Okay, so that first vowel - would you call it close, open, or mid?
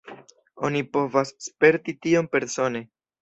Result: mid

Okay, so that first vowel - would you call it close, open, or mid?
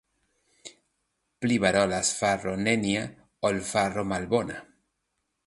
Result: close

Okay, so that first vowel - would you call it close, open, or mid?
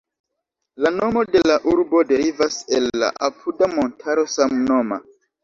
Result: open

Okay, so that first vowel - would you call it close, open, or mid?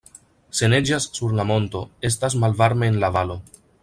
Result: mid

